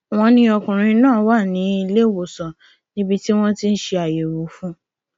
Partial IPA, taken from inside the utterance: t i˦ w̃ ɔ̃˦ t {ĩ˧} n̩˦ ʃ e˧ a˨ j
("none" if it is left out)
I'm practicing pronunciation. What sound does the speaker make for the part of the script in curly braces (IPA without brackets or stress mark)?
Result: i˧